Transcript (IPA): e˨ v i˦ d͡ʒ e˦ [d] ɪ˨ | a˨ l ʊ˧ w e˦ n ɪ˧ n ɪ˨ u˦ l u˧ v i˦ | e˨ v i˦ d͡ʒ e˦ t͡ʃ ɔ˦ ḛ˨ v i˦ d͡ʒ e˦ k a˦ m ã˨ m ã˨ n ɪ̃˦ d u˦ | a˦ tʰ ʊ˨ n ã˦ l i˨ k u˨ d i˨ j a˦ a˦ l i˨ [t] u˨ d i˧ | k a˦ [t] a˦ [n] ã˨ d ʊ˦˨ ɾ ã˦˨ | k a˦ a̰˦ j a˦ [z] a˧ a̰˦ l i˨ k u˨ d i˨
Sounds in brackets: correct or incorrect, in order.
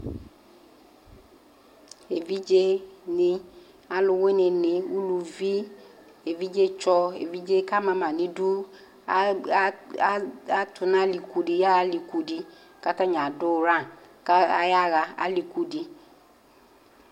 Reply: incorrect, incorrect, correct, incorrect, incorrect

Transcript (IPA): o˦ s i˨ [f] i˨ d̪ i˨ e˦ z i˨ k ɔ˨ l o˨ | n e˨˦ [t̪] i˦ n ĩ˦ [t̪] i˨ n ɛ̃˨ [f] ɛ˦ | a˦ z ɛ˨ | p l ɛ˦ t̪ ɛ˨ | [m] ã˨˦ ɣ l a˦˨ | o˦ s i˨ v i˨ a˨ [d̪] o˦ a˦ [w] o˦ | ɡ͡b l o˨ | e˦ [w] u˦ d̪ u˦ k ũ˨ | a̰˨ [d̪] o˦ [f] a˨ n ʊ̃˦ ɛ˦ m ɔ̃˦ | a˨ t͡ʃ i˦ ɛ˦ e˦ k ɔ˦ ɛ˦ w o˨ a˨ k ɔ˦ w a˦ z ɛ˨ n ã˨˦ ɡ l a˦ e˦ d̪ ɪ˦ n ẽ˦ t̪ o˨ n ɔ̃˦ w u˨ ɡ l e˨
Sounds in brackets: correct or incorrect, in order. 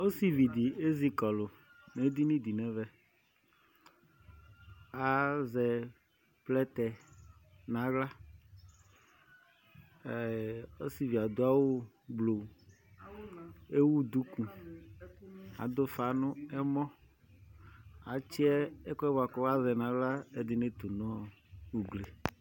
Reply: incorrect, incorrect, incorrect, incorrect, incorrect, correct, correct, correct, correct, correct

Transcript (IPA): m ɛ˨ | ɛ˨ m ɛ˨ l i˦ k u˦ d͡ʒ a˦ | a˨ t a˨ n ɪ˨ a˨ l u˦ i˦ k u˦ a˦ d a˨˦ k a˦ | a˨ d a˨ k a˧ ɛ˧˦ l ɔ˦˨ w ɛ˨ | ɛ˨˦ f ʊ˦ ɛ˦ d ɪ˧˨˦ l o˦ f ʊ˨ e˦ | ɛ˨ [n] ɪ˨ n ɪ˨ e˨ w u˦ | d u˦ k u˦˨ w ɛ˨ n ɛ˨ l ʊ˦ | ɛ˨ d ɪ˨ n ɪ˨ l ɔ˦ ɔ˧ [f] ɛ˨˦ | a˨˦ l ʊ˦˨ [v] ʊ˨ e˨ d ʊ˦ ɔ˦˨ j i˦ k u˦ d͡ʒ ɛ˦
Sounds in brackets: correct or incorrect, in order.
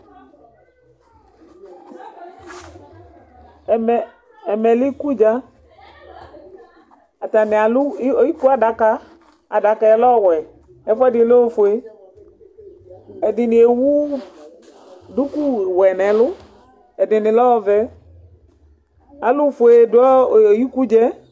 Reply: incorrect, incorrect, incorrect

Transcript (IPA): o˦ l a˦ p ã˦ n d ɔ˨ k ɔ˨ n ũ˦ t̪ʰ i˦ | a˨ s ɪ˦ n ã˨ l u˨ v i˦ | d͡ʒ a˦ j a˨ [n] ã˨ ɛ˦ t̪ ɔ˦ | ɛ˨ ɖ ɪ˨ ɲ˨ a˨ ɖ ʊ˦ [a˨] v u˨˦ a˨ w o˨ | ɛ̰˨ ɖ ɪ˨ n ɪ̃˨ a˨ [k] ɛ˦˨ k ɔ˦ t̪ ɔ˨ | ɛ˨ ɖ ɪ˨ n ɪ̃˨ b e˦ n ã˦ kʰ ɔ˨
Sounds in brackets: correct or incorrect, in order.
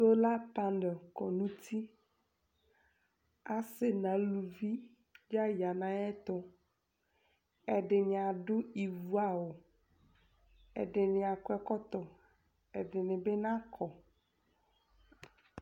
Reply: correct, incorrect, correct

